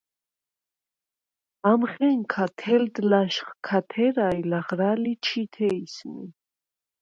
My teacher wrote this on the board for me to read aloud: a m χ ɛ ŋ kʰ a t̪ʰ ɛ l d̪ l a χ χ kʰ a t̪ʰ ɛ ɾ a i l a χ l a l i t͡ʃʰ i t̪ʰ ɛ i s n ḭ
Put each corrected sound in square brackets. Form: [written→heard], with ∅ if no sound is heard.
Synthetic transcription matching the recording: a m χ ɛ ŋ kʰ a t̪ʰ ɛ l d̪ l a [χ→ʃ] χ kʰ a t̪ʰ ɛ ɾ a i l a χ [l→ɾ] a l i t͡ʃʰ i t̪ʰ ɛ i s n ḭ

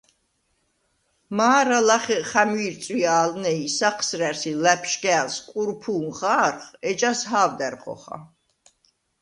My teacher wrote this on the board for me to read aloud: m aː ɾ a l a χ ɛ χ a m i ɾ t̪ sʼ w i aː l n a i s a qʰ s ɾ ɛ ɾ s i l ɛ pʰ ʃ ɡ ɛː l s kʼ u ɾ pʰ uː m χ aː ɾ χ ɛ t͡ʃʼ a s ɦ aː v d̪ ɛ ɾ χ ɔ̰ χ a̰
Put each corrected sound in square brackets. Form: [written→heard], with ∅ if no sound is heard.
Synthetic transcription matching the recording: m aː ɾ a l a χ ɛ χ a m i ɾ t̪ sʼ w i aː l n [a→ɛ] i s a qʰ s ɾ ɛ ɾ s i l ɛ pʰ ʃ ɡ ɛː l s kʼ u ɾ pʰ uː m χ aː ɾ χ ɛ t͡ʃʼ a s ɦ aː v d̪ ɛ ɾ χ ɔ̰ χ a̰

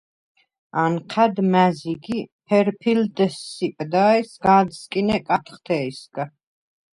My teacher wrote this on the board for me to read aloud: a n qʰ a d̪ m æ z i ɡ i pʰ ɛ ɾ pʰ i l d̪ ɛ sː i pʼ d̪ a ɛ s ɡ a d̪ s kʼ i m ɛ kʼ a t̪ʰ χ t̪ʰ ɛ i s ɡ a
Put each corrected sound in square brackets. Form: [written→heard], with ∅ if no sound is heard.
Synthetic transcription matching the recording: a n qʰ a d̪ m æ z i ɡ i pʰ ɛ ɾ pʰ i l d̪ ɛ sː i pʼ d̪ a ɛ s ɡ a d̪ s kʼ i [m→n] ɛ kʼ a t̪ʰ χ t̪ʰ ɛ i s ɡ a

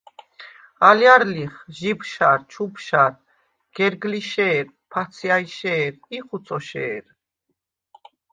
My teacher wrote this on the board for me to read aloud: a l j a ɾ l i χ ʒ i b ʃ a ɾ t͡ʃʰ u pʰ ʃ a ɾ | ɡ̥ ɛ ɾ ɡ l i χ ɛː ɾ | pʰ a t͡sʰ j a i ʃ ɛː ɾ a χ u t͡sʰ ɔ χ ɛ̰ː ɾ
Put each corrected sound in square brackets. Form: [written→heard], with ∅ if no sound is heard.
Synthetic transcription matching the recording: a l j a ɾ l i χ ʒ i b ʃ a ɾ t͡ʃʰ u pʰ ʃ a ɾ | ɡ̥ ɛ ɾ ɡ l i [χ→ʃ] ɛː ɾ | pʰ a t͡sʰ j a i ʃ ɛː ɾ [a→i] χ u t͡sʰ ɔ [χ→ʃ] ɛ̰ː ɾ

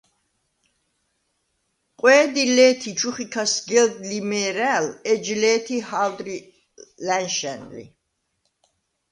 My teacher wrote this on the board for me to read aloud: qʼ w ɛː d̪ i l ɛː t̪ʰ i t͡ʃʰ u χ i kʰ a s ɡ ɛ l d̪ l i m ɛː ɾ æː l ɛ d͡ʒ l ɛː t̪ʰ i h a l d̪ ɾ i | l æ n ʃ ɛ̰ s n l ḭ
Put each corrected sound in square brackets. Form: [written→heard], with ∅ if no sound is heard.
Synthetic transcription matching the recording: qʼ w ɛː d̪ i l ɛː t̪ʰ i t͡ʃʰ u χ i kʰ a s ɡ ɛ l d̪ l i m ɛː ɾ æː l ɛ d͡ʒ l ɛː t̪ʰ i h a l d̪ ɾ i | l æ n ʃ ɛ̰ [s→∅] n l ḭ

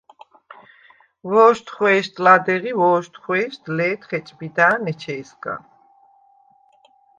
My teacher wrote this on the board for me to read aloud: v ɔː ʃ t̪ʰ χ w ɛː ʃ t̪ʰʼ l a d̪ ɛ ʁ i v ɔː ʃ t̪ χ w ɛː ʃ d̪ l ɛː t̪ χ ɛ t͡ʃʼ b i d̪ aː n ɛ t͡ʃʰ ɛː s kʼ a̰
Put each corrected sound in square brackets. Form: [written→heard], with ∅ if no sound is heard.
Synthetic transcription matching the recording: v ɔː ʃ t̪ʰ χ w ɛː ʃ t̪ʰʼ l a d̪ ɛ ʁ i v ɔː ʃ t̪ χ w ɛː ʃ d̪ l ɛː t̪ χ ɛ t͡ʃʼ b i d̪ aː n ɛ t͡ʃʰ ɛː s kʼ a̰

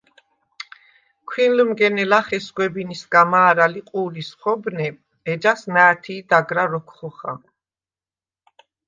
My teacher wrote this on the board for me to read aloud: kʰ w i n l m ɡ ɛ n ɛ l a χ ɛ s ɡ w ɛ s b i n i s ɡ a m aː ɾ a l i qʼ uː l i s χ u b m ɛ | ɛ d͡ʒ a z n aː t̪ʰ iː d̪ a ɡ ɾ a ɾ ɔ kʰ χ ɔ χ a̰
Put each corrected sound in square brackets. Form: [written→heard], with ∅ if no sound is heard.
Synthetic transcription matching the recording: kʰ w i n l m ɡ ɛ n ɛ l a χ ɛ s ɡ w ɛ [s→∅] b i n i s ɡ a m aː ɾ a l i qʼ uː l i s χ [u→ɔ] b [m→n] ɛ | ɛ d͡ʒ a [z→s] n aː t̪ʰ iː d̪ a ɡ ɾ a ɾ ɔ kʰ χ ɔ χ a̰

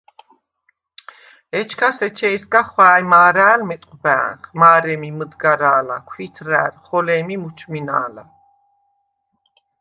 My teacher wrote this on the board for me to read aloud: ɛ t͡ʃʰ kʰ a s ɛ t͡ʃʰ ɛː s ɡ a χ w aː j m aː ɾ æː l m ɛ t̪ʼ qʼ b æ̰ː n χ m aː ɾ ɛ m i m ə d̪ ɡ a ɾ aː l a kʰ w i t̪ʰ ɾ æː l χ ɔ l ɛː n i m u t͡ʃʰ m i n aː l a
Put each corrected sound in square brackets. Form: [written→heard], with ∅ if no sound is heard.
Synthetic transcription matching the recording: ɛ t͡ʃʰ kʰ a s ɛ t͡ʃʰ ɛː s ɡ a χ w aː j m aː ɾ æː l m ɛ t̪ʼ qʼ b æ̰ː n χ m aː ɾ ɛ m i m ə d̪ ɡ a ɾ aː l a kʰ w i t̪ʰ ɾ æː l χ ɔ l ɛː [n→m] i m u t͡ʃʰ m i n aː l a

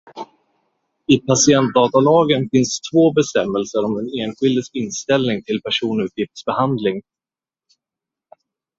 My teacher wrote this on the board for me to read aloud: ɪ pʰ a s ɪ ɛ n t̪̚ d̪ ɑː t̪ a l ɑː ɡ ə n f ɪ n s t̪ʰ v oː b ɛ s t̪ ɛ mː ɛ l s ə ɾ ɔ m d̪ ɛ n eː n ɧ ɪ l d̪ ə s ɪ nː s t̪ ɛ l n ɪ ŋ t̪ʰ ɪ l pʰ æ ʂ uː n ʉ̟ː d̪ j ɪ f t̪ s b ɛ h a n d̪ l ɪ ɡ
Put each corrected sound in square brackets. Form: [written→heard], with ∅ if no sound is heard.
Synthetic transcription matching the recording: ɪ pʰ a s ɪ ɛ n t̪̚ d̪ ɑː t̪ a l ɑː ɡ ə n f ɪ n s t̪ʰ v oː b ɛ s t̪ ɛ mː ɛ l s ə ɾ ɔ m d̪ ɛ n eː n ɧ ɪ l d̪ ə s ɪ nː s t̪ ɛ l n ɪ ŋ t̪ʰ ɪ l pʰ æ ʂ uː n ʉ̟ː [d̪→t̪] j ɪ f t̪ s b ɛ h a n d̪ l ɪ [ɡ→ŋ]

